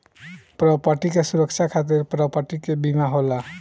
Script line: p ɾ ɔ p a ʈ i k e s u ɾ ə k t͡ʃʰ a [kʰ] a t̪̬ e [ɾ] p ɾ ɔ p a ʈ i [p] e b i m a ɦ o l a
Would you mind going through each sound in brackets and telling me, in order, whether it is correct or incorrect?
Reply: correct, correct, incorrect: k

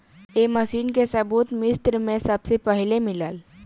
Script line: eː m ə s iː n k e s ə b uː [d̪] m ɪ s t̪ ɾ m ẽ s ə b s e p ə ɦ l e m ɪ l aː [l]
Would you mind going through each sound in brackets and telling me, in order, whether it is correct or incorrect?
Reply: incorrect: t̪, correct

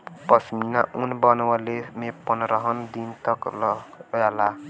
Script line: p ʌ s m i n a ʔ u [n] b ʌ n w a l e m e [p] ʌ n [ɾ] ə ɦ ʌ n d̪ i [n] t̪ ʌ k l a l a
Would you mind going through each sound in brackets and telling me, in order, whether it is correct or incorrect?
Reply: correct, correct, correct, correct

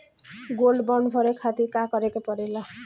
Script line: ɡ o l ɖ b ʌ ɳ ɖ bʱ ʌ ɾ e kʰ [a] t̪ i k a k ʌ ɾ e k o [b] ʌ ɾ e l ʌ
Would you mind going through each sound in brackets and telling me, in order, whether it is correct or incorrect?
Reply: correct, incorrect: p

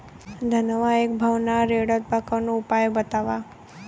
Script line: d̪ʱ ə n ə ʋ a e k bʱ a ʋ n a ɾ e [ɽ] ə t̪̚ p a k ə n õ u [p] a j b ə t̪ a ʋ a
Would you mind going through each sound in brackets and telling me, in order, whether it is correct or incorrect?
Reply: correct, correct

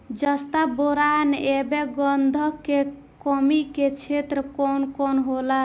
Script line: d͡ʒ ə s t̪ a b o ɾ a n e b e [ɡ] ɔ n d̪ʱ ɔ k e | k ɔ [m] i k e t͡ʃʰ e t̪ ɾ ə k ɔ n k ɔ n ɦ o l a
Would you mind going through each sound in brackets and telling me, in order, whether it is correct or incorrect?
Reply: correct, correct

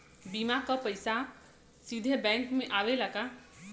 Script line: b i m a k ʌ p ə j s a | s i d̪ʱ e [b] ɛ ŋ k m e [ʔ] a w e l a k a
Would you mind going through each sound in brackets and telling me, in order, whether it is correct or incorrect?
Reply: correct, correct

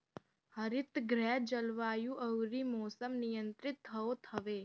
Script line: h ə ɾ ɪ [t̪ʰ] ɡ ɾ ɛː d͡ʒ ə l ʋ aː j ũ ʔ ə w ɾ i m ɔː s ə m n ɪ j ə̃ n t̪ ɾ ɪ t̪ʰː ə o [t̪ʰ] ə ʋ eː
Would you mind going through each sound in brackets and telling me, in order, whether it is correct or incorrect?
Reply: incorrect: t̪, correct

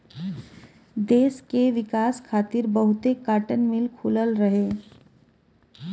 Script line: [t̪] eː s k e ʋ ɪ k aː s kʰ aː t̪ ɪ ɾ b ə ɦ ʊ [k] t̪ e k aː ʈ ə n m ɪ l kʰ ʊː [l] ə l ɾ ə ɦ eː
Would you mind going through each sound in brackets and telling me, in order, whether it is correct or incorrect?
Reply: incorrect: d̪, incorrect: none, correct

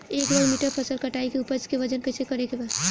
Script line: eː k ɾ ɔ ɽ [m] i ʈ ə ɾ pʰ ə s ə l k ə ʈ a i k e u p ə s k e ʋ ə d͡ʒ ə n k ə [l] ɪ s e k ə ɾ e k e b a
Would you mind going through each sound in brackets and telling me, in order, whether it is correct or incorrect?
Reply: correct, incorrect: none

